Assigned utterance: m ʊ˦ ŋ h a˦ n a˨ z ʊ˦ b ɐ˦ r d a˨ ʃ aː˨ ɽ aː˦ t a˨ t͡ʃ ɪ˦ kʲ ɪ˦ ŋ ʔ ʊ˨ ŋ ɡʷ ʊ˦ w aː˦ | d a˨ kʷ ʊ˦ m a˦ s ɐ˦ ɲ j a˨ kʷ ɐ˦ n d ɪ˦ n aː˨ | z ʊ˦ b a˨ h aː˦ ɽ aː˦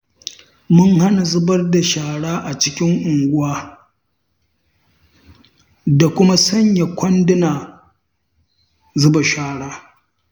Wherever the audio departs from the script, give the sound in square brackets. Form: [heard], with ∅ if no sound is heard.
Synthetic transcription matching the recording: m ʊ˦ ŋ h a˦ n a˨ z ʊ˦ b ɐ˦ r d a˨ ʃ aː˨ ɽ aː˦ [ʔ] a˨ t͡ʃ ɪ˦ kʲ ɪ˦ ŋ ʔ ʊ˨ ŋ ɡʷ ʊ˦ w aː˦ | d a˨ kʷ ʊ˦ m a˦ s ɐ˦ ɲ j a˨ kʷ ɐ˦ n d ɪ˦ n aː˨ | z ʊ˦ b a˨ [ʃ] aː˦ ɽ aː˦